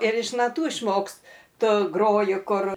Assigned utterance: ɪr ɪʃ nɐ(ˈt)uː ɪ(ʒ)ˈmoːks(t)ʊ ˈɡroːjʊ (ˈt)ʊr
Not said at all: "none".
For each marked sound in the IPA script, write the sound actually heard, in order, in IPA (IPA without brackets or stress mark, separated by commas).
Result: t, ʃ, t, k